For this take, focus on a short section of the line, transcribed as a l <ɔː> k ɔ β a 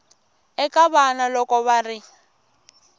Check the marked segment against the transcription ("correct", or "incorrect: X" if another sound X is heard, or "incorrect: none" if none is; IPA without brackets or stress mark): incorrect: ɔ